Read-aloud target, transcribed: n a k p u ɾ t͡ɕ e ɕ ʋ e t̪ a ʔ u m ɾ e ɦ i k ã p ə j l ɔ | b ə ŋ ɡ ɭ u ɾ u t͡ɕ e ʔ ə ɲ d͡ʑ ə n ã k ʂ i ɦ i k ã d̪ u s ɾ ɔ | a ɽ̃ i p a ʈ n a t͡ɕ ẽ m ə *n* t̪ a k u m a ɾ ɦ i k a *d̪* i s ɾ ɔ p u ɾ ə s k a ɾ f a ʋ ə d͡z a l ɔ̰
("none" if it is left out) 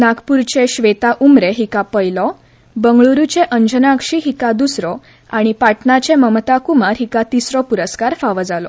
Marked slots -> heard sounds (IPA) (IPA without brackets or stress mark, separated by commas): m, t̪